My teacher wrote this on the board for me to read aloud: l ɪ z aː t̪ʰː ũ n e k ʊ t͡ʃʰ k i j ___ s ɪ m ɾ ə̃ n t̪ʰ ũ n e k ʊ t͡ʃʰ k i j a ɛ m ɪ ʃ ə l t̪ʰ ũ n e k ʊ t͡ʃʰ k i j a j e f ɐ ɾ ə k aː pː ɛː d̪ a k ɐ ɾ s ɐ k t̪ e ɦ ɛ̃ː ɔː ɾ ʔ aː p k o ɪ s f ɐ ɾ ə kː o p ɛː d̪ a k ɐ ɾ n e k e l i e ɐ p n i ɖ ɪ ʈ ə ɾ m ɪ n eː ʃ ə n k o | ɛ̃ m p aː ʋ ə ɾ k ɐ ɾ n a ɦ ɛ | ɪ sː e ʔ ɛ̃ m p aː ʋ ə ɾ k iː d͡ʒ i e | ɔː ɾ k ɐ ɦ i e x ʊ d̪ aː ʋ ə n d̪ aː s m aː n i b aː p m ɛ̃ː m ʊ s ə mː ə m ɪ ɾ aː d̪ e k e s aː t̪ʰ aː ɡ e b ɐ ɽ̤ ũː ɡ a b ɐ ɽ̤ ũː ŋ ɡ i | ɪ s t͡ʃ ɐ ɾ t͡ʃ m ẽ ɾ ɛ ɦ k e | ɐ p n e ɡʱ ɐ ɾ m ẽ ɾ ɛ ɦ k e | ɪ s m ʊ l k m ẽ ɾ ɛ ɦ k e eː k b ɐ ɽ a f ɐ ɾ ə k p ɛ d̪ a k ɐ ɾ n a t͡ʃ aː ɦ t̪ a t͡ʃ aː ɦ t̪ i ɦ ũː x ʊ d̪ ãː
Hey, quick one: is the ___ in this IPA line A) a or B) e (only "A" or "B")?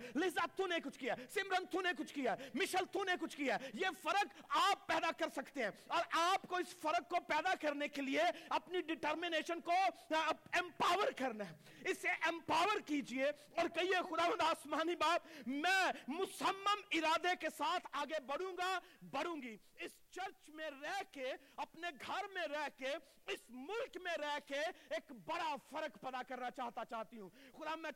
A